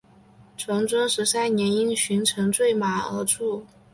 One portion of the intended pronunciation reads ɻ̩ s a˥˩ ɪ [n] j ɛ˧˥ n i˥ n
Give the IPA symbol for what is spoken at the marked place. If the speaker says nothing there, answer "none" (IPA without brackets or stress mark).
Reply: n